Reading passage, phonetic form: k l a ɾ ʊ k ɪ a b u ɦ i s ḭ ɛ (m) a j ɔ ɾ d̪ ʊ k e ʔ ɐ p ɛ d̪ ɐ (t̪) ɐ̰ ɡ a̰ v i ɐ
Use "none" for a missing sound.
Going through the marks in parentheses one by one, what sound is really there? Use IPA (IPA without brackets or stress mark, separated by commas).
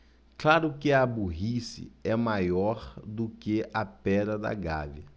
m, d̪